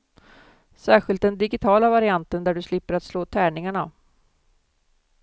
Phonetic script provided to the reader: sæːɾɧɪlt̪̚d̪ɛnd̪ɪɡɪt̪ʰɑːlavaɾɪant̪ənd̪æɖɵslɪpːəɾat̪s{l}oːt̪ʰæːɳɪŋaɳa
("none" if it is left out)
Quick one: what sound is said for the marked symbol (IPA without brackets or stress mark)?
l